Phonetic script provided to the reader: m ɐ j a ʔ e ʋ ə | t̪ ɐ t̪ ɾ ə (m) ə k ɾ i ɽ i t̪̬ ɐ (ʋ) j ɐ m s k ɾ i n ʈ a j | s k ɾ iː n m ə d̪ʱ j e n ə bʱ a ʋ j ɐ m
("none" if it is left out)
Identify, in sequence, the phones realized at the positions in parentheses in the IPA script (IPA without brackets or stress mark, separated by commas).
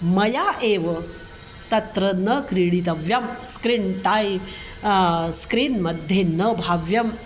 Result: n, ʋ